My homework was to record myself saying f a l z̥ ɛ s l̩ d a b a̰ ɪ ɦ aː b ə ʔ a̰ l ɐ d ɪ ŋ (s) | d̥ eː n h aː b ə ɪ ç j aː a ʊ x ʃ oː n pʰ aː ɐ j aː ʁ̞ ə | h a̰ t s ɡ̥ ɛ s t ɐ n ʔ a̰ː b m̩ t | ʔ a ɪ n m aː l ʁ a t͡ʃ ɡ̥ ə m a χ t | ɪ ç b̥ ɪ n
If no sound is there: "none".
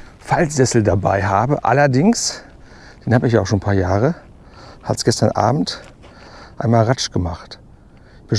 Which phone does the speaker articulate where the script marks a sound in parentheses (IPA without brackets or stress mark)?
s